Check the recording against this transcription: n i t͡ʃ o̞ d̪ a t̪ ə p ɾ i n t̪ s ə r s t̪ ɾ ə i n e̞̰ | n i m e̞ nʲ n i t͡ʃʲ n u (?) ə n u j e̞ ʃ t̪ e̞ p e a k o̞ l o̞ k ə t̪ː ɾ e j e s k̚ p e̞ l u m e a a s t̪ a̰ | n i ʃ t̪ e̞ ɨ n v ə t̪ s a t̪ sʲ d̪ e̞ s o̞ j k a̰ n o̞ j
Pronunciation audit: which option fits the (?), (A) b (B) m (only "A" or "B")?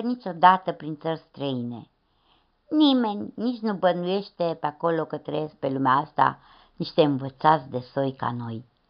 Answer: A